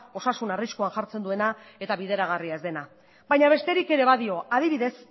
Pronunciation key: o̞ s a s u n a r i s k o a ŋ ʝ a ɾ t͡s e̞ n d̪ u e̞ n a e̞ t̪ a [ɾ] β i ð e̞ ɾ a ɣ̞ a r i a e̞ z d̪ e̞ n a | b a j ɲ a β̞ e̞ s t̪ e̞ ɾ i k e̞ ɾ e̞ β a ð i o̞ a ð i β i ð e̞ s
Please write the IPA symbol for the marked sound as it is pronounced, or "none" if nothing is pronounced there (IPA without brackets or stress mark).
none